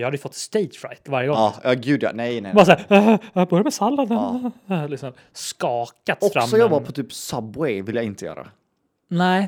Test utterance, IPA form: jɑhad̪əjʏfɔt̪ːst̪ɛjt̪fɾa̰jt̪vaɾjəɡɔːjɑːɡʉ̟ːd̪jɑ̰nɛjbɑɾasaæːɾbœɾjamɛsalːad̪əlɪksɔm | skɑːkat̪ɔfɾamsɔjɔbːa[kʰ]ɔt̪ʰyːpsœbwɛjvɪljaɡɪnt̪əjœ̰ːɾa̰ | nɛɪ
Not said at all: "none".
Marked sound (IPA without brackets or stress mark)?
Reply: pʰ